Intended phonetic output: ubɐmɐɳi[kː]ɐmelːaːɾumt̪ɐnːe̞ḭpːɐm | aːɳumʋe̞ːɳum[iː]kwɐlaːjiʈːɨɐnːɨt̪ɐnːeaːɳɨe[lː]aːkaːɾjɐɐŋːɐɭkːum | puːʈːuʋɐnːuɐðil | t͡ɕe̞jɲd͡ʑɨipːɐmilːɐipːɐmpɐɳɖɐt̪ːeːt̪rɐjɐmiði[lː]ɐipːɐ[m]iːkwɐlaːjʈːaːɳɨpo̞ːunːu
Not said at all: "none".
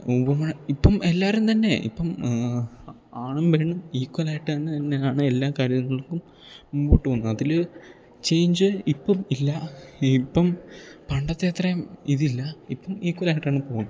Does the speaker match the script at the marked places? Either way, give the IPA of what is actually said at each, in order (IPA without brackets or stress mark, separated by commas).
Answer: pː, iː, lː, lː, m